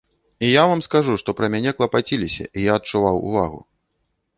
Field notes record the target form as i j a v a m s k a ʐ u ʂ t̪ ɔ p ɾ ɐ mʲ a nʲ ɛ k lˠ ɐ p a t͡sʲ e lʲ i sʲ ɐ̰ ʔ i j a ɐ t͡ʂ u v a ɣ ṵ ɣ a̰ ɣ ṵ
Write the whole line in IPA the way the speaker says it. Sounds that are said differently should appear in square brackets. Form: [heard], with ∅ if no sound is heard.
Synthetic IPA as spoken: i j a v a m s k a ʐ u ʂ t̪ ɔ p ɾ ɐ mʲ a nʲ ɛ k lˠ ɐ p a t͡sʲ [i] lʲ i sʲ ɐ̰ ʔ i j a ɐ t͡ʂ u v a [w] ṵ [v] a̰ ɣ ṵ